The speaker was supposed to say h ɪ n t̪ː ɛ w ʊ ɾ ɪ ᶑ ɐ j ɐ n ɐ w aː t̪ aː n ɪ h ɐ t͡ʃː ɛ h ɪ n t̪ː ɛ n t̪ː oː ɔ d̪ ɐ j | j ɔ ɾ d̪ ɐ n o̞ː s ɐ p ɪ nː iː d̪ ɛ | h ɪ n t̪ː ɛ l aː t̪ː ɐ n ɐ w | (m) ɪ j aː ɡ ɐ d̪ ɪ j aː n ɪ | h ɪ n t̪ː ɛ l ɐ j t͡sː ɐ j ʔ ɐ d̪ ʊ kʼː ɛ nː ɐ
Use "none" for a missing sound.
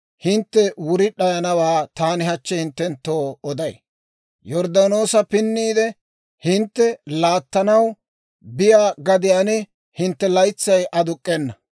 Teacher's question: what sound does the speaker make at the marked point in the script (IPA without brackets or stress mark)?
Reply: b